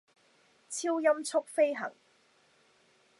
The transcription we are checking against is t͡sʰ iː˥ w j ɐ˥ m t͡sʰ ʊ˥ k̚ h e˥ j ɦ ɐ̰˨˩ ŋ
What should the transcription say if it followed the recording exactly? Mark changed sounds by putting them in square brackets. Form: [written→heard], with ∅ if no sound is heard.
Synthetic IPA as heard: t͡sʰ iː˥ w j ɐ˥ m t͡sʰ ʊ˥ k̚ [h→f] e˥ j ɦ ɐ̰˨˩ ŋ